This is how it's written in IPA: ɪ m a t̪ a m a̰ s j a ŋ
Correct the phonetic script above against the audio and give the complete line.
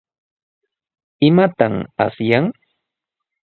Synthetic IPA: ɪ m a t̪ a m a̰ s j a ŋ